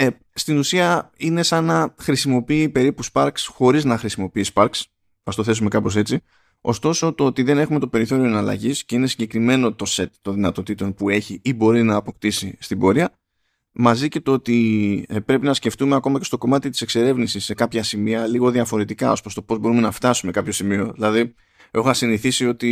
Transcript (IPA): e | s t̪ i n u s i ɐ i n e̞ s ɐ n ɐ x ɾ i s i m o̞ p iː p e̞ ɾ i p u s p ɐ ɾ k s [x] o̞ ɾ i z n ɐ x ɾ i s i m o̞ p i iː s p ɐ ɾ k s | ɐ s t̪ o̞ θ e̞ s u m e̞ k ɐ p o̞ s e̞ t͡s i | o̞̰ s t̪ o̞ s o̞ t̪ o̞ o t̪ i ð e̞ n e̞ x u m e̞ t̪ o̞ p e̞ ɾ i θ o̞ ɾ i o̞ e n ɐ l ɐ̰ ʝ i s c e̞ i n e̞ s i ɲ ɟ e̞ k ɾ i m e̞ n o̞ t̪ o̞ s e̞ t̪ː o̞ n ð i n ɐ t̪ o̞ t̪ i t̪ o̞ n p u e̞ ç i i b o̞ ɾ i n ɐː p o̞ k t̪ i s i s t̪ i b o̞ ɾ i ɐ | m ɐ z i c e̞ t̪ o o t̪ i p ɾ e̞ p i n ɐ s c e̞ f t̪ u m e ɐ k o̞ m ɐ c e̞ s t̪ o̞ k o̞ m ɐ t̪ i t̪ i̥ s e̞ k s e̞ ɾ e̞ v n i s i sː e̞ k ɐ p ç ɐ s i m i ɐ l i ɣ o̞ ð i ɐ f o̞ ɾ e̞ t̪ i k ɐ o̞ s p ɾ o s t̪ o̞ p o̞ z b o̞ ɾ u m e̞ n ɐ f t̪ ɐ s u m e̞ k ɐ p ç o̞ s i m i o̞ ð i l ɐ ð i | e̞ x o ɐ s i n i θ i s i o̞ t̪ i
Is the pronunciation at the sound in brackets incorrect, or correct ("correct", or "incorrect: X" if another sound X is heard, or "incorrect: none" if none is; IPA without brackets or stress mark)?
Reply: correct